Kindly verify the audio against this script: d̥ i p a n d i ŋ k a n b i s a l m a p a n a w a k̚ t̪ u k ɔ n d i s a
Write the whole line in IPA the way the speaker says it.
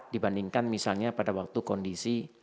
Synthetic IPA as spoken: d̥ i b a n d i ŋ k a n m i s a l ɲ a p a d a w a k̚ t̪ u k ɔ n d i s i